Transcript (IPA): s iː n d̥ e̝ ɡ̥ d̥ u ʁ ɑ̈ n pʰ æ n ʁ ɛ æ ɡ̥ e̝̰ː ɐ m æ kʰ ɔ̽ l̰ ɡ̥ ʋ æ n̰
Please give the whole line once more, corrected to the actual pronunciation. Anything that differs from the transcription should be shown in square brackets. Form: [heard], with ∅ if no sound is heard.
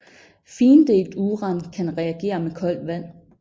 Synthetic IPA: [f] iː n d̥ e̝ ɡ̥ d̥ u ʁ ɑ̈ n [kʰ] æ n ʁ ɛ æ ɡ̥ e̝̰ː ɐ m [e] kʰ [ɒ̽] l̰ [d̥] ʋ æ n̰